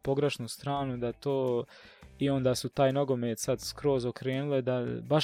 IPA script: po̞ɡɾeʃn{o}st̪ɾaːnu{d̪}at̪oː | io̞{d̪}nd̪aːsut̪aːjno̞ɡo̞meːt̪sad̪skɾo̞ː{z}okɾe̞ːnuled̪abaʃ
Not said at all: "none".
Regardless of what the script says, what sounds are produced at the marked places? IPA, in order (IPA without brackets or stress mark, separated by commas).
u, d̪, none, z